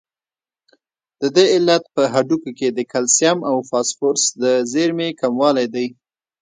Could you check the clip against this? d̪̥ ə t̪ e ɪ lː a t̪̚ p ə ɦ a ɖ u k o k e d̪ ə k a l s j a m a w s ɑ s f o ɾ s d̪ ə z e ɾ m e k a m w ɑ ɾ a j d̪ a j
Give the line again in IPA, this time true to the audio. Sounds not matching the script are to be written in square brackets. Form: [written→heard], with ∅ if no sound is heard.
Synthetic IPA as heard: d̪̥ ə [t̪→d̪] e ɪ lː a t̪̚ p ə ɦ a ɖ u k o k e d̪ ə k a l s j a m a w [s→f] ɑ s f o ɾ s d̪ ə z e ɾ m e k a m w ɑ [ɾ→l] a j d̪ a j